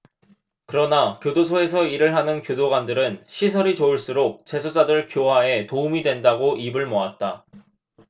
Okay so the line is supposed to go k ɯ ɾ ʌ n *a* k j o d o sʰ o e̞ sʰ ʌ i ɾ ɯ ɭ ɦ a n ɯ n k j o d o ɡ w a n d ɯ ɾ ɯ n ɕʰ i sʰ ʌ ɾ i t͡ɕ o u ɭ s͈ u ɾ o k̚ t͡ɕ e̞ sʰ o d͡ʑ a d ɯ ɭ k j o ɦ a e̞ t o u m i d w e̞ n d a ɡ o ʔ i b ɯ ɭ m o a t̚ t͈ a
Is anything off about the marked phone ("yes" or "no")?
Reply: no